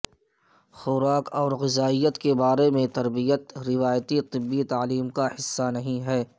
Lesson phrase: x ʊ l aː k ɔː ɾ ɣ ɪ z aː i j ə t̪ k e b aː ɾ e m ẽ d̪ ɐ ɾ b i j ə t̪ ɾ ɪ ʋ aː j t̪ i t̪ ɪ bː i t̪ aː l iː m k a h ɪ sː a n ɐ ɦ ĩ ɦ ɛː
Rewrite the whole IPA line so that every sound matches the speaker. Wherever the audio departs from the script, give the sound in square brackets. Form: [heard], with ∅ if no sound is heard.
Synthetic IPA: x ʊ [ɾ] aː k ɔː ɾ ɣ ɪ z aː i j ə t̪ k e b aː ɾ e m ẽ [t̪] ɐ ɾ b i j ə t̪ ɾ ɪ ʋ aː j t̪ i t̪ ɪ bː i t̪ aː l iː m k a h ɪ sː a n ɐ ɦ ĩ ɦ ɛː